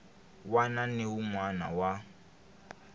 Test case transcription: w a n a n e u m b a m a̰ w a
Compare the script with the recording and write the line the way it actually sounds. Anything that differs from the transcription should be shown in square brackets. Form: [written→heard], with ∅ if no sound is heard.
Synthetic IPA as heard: w a n a n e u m [b→w] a [m→n] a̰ w a